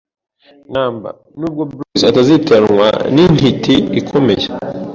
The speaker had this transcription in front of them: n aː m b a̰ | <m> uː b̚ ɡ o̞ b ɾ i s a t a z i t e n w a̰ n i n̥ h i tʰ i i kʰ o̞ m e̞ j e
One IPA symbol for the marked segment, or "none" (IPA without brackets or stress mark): n